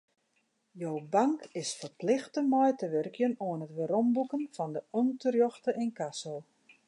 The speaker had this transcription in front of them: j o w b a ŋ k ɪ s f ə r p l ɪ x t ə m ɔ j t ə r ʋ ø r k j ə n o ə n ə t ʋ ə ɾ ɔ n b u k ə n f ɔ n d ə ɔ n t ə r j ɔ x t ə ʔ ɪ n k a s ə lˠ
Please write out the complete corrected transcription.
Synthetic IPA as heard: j o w b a ŋ k ɪ s f ə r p l ɪ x t ə m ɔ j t ə ʋ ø r k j ə n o ə n ə t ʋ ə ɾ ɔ m b u k ə n f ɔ n d ə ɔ n t ə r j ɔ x t ə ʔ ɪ n k a s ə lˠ